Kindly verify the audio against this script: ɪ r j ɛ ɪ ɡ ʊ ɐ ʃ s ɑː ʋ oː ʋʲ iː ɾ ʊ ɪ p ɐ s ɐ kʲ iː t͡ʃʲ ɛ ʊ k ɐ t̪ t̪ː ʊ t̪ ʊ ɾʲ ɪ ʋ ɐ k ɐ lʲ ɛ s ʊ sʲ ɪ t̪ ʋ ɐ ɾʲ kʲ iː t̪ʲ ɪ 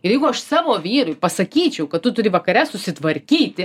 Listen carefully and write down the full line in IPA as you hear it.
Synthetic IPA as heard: ɪ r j ɛ ɪ ɡ ʊ ɐ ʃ s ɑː ʋ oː ʋʲ iː ɾ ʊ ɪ p ɐ s ɐ kʲ iː t͡ʃʲ ɛ ʊ k ɐ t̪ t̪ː ʊ t̪ ʊ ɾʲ ɪ ʋ ɐ k ɐ ɾʲ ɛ s ʊ sʲ ɪ t̪ ʋ ɐ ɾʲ kʲ iː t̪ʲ ɪ